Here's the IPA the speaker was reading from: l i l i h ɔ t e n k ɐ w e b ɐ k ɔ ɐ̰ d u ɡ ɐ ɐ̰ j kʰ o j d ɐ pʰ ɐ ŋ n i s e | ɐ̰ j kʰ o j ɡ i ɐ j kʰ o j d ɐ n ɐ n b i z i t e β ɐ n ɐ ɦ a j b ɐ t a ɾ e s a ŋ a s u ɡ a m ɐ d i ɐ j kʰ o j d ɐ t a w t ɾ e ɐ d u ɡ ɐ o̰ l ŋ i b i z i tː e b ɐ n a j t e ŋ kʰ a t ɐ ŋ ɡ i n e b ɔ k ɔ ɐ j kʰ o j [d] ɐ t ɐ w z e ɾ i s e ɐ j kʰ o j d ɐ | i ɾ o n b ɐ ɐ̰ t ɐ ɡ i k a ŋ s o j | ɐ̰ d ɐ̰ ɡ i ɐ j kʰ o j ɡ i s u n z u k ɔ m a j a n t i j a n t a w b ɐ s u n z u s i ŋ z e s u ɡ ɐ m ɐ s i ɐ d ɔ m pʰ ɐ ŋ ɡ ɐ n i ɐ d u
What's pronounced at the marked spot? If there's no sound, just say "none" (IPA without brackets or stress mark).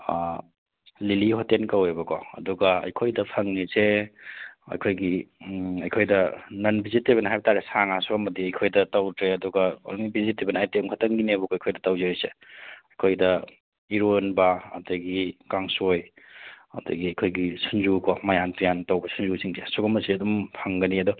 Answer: d